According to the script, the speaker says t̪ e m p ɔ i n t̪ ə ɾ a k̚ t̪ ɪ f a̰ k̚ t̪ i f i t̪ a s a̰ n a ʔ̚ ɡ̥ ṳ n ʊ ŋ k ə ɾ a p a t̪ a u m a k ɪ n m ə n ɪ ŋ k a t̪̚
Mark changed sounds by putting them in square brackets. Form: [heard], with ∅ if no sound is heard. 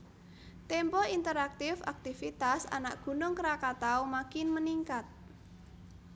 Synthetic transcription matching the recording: t̪ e m p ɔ i n t̪ ə ɾ a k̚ t̪ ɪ f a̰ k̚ t̪ i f i t̪ a s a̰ n a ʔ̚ ɡ̥ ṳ n ʊ ŋ k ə ɾ a [k] a t̪ a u m a k ɪ n m ə n [i] ŋ k a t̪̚